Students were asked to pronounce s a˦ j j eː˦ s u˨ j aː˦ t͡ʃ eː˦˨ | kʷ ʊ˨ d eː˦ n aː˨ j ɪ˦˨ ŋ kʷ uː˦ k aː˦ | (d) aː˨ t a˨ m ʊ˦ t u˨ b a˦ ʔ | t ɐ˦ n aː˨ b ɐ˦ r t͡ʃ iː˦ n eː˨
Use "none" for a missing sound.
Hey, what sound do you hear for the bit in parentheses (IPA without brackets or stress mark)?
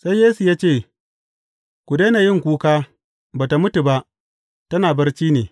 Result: b